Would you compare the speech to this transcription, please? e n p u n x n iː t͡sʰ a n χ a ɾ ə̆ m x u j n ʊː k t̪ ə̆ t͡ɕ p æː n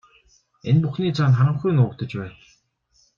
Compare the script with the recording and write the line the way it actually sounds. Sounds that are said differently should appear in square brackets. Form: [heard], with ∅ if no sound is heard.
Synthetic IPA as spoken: e n p u [∅] x n iː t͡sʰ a n χ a ɾ ə̆ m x u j n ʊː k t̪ ə̆ t͡ɕ p æː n